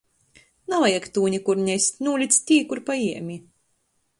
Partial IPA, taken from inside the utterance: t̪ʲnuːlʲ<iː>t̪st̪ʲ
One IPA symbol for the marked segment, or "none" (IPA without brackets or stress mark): i